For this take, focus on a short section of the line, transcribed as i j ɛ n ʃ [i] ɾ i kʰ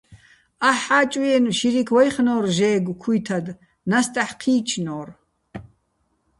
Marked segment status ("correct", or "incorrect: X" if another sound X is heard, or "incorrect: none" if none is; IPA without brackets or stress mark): correct